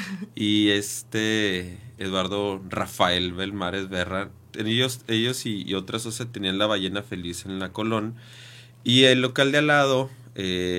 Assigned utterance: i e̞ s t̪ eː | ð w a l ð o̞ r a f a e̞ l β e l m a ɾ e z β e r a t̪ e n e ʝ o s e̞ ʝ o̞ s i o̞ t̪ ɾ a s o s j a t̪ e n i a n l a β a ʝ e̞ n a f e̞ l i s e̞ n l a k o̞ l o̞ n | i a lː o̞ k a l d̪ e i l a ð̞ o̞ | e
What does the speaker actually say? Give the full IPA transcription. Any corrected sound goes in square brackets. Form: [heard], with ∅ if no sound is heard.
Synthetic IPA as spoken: i e̞ s t̪ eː | ð w a [ɾ] ð o̞ r a f a e̞ l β e l m a ɾ e z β e r a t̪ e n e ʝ o s e̞ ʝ o̞ s i o̞ t̪ ɾ a s o s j a t̪ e n i a n l a β a ʝ e̞ n a f e̞ l i s e̞ n l a k o̞ l o̞ n | i [e] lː o̞ k a l d̪ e [a] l a ð̞ o̞ | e